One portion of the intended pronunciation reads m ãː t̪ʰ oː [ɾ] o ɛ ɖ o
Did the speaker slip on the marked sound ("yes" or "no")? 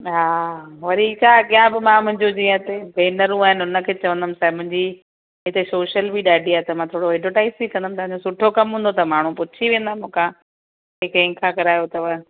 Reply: yes